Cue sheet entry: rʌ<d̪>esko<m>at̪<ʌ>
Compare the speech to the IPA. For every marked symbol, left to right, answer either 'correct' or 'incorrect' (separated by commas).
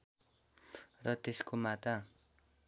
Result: incorrect, correct, incorrect